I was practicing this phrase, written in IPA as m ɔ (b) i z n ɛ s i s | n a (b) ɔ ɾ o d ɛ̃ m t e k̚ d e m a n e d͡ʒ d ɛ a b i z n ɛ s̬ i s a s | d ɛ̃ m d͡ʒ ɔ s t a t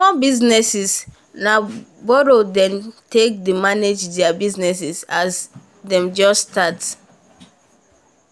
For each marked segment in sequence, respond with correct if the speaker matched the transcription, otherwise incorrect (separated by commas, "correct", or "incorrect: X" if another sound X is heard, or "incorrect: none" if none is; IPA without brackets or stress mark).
correct, correct